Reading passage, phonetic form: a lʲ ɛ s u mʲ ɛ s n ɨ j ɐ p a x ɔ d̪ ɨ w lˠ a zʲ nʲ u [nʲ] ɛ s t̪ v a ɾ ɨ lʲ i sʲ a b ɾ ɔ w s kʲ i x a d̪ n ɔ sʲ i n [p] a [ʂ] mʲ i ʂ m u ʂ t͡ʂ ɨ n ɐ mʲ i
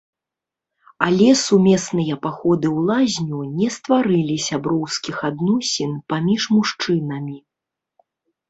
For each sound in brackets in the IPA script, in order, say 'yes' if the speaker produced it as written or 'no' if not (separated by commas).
yes, yes, no